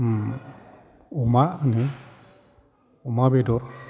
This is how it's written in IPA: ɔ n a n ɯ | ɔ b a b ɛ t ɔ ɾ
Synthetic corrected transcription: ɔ m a n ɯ | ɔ m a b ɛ d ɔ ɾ